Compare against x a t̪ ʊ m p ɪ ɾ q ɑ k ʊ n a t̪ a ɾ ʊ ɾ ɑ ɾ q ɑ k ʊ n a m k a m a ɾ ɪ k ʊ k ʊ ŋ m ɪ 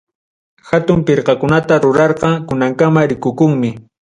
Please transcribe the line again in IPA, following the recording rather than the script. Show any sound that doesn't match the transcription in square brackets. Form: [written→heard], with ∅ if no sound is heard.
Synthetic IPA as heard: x a t̪ ʊ m p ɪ ɾ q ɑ k ʊ n a t̪ a ɾ ʊ ɾ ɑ ɾ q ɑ k ʊ n a [m→ŋ] k a m a ɾ ɪ k ʊ k ʊ ŋ m ɪ